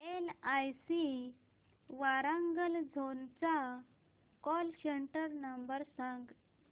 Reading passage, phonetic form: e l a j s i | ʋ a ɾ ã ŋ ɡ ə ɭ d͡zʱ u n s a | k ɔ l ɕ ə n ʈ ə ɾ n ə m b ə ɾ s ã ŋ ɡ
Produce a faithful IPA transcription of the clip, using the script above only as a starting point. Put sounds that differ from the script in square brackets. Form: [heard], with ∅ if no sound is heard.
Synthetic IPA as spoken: e l a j s i | ʋ a ɾ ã ŋ ɡ ə [l] d͡zʱ [o] n [t͡s] a | k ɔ l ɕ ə [ɳ] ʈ ə ɾ n ə m b ə ɾ s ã ŋ ɡ